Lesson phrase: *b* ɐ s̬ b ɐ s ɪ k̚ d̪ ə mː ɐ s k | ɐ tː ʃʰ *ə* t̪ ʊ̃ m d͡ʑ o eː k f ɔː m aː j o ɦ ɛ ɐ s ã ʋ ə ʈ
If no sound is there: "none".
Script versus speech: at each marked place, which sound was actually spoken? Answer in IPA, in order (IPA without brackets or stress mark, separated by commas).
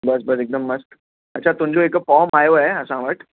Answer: b, a